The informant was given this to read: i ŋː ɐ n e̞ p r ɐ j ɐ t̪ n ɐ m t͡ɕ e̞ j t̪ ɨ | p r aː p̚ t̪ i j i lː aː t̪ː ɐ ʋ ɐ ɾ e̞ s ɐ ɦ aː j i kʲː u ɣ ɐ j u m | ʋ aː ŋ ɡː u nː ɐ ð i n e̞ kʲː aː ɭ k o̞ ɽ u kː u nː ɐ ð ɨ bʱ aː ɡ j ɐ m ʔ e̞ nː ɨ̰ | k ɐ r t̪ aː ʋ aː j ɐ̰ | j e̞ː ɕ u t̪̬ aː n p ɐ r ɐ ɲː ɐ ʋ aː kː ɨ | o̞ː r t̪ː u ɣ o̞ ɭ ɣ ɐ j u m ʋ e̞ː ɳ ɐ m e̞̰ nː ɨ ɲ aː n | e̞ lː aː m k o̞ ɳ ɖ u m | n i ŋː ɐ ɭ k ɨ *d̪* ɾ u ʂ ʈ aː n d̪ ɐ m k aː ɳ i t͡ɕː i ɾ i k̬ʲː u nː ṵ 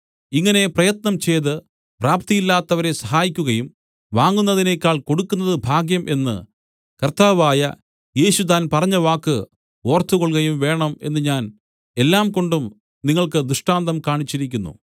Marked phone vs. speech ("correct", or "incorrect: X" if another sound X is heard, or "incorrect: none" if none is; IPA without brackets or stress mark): correct